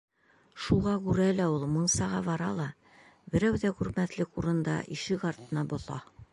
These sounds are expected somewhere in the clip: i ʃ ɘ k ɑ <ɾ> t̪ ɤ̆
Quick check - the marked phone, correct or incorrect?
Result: correct